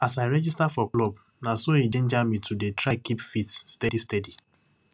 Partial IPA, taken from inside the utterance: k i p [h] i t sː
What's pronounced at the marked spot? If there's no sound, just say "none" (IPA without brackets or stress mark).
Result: f